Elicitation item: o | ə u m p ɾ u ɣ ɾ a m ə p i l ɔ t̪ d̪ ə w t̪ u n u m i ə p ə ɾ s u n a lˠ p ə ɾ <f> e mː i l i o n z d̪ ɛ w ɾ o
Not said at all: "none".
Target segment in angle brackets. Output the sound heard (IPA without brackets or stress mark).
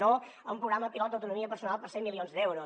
s